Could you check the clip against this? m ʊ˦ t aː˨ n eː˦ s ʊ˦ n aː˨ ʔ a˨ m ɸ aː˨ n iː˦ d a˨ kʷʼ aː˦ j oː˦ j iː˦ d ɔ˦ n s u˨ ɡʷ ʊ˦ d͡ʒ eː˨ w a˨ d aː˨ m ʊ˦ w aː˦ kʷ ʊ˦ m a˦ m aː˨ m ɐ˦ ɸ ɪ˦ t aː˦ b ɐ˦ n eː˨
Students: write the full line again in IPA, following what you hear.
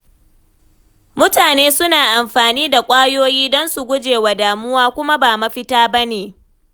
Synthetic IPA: m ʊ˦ t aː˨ n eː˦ s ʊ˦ n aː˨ ʔ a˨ m ɸ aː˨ n iː˦ d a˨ kʷʼ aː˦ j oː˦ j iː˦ d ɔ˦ n s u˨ ɡʷ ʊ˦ d͡ʒ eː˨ w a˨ d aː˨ m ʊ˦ w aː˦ kʷ ʊ˦ m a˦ b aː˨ m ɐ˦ ɸ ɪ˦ t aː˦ b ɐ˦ n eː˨